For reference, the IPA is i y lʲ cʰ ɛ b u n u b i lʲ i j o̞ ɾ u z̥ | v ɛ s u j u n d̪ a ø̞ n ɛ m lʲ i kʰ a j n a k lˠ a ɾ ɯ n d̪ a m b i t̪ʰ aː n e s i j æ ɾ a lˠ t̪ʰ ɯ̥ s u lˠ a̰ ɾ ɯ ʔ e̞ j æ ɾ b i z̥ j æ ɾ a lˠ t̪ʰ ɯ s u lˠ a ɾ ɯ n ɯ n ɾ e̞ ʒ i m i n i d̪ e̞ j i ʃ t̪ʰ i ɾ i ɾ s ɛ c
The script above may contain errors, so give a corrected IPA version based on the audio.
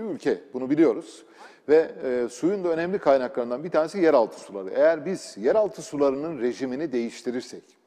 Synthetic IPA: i y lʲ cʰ ɛ b u n u b i lʲ i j o̞ ɾ u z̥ | v ɛ s u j u n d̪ a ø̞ n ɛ m lʲ i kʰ a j n a k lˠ a ɾ ɯ n d̪ a n b i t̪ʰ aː n e s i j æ ɾ a lˠ t̪ʰ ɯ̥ s u lˠ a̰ ɾ ɯ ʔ e̞ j æ ɾ b i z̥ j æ ɾ a lˠ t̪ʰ ɯ s u lˠ a ɾ ɯ n ɯ n ɾ e̞ ʒ i m i n i d̪ e̞ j i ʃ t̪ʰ i ɾ i ɾ s ɛ c